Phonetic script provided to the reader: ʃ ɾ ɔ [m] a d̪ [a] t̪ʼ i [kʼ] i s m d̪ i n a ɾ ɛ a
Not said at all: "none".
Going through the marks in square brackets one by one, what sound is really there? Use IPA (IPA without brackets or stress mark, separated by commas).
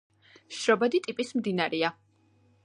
b, i, pʼ